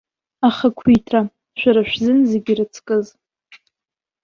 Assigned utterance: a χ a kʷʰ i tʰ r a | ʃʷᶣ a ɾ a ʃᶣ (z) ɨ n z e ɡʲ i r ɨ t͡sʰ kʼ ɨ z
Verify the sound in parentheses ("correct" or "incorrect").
correct